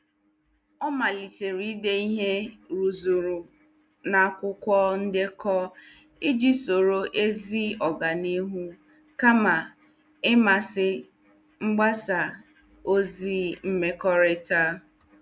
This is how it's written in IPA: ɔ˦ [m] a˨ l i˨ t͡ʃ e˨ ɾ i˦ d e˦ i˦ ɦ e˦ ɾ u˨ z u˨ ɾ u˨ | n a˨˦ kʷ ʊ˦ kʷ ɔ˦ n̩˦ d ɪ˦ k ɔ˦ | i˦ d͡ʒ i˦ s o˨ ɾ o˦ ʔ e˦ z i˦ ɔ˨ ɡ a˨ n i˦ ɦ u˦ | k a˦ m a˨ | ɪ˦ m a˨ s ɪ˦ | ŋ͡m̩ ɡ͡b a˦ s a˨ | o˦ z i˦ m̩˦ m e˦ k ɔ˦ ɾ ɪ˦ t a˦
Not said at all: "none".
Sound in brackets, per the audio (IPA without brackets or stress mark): m